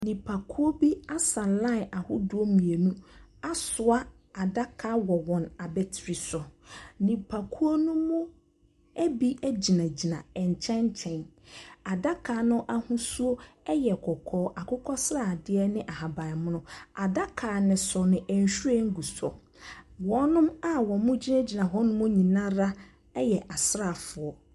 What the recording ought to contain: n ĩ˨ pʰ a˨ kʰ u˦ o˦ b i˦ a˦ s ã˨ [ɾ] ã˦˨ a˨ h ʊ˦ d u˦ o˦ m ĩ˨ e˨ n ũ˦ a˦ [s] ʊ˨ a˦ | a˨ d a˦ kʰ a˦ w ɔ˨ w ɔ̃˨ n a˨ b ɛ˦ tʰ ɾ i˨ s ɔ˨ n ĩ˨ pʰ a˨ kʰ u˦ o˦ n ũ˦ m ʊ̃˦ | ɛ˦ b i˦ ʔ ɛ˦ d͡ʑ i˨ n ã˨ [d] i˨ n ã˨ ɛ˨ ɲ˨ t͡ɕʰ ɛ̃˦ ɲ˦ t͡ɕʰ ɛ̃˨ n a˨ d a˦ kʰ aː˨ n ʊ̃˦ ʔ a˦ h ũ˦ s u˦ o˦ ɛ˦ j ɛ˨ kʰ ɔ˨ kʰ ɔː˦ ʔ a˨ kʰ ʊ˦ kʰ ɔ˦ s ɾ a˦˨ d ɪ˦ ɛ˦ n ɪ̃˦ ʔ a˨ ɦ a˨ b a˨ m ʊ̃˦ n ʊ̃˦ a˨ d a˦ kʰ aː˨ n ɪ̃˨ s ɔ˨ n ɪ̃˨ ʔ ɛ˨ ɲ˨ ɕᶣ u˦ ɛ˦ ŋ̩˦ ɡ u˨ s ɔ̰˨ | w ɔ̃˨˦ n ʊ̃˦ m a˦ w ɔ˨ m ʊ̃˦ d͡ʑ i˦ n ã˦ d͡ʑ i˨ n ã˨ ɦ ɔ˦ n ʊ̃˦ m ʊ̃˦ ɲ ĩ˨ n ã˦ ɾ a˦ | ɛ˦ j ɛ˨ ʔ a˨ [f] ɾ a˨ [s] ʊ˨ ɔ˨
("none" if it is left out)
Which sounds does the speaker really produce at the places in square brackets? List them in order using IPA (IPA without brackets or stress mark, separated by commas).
l, s, d͡ʑ, s, f